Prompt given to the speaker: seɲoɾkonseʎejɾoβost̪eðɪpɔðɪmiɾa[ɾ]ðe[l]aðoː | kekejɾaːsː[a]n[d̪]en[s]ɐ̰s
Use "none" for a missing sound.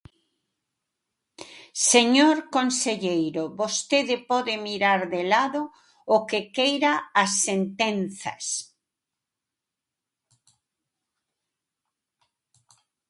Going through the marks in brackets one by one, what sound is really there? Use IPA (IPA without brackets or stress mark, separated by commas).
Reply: ɾ, l, e, t̪, θ